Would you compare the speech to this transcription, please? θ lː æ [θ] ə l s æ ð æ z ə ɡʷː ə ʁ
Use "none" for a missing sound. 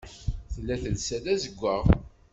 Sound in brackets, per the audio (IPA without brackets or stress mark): θ